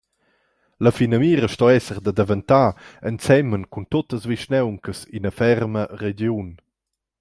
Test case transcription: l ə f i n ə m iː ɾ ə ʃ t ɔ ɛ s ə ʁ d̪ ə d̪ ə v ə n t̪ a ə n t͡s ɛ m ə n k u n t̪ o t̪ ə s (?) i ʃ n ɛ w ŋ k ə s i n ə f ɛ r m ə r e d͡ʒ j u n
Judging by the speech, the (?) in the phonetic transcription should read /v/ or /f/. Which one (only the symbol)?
v